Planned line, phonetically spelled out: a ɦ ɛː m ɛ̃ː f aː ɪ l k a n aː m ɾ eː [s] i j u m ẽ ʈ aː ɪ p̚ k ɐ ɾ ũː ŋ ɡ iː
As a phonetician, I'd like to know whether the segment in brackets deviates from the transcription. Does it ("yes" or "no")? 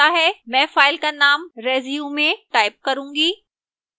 yes